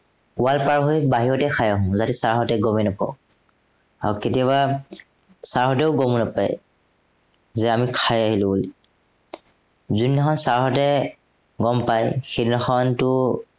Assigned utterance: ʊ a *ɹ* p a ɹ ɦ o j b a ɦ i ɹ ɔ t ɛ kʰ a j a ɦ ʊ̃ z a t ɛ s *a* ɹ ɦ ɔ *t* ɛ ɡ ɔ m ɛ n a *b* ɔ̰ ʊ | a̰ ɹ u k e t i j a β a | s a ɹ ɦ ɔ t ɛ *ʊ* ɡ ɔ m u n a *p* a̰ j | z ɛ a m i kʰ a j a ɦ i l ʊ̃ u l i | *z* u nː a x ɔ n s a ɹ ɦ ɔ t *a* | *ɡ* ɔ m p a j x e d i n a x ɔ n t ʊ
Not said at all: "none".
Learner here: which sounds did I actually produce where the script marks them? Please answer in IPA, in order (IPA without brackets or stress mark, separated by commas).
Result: l, a, t, p, ʊ, p, z, ɛ, ɡ